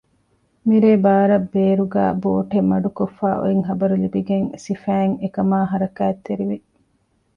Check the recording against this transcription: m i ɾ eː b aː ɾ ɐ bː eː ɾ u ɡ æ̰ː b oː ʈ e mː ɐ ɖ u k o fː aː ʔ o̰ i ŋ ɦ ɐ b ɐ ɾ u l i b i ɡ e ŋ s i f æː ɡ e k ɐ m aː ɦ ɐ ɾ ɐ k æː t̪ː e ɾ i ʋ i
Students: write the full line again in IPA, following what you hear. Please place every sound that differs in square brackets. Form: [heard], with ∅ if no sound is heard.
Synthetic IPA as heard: m i ɾ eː b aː ɾ ɐ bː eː ɾ u ɡ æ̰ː b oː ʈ e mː ɐ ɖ u k o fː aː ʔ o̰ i ŋ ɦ ɐ b ɐ ɾ u l i b i ɡ e ŋ s i f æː [ŋ] e k ɐ m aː ɦ ɐ ɾ ɐ k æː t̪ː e ɾ i ʋ i